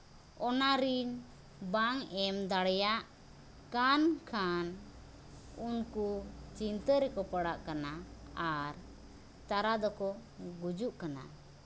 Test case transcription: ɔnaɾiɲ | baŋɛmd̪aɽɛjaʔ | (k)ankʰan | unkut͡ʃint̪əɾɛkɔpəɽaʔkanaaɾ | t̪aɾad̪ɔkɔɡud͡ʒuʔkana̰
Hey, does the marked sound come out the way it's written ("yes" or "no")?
yes